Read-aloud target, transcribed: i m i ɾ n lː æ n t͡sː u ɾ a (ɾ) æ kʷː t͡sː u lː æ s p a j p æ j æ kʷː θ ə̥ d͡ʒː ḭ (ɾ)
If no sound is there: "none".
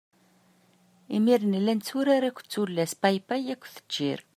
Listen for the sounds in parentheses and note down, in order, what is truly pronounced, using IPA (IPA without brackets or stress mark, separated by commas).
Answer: ɾ, ɾ